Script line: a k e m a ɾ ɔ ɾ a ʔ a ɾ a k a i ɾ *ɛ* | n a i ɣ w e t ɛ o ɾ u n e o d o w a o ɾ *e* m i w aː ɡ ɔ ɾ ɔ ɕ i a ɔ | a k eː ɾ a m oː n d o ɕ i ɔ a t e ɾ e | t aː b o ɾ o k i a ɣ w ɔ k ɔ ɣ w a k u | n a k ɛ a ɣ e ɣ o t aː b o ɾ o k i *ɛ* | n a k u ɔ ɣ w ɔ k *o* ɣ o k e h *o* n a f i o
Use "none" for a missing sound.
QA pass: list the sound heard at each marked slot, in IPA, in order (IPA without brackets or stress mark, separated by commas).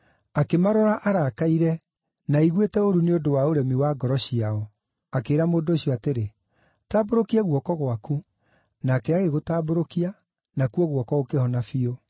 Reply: ɛ, ɛ, a, ɔ, ɔ